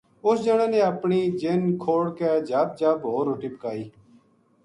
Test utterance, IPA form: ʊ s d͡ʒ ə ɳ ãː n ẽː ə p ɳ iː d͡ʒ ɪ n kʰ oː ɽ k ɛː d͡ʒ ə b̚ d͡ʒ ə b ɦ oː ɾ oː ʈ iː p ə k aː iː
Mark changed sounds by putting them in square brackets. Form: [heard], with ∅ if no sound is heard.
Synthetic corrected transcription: ʊ s d͡ʒ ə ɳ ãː n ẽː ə p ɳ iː d͡ʒ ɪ n kʰ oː ɽ k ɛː d͡ʒ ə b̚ d͡ʒ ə b ɦ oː ɾ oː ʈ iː p ə k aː iː